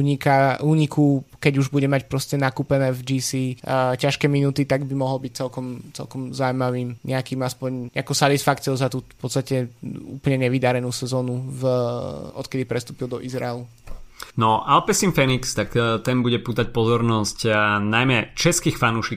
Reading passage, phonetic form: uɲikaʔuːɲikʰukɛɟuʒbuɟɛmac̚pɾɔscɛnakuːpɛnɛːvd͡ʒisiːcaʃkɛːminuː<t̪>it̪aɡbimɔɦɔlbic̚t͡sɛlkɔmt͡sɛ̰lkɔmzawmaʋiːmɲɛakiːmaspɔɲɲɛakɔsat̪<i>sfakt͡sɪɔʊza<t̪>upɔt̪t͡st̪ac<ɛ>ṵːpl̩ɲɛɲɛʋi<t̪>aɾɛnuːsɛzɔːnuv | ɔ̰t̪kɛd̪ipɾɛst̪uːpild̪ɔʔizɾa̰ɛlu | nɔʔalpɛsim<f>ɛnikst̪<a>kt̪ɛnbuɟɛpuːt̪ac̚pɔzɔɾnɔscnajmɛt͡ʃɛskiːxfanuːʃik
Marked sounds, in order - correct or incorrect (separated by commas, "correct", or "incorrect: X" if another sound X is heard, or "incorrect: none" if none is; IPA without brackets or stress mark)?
correct, correct, correct, correct, incorrect: d̪, correct, correct